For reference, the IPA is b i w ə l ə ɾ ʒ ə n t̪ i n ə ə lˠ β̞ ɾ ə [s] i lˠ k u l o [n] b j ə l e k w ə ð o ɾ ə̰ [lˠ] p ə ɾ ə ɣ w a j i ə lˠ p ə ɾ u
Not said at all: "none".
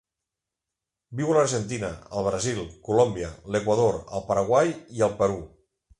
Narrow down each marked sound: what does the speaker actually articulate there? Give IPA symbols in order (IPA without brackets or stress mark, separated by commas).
z, m, lˠ